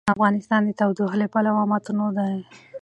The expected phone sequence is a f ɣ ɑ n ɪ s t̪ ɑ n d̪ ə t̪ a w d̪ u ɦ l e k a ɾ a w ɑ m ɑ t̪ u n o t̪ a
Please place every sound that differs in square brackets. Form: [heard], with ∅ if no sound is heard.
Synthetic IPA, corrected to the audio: a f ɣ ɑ n ɪ s t̪ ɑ n d̪ ə t̪ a w d̪ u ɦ l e [p] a [l] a w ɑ m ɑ t̪ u n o [d̪] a